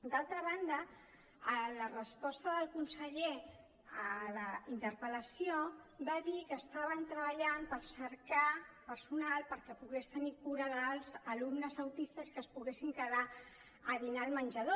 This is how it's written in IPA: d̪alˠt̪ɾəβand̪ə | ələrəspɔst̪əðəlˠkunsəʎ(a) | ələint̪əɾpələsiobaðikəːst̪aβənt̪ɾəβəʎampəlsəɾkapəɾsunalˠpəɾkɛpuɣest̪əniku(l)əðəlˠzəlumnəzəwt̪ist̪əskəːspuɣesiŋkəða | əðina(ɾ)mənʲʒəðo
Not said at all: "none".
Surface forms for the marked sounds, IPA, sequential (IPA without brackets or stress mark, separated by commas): e, ɾ, l